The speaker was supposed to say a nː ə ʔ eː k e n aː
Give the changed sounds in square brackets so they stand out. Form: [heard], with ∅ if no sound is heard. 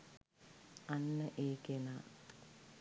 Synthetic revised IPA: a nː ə ʔ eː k e n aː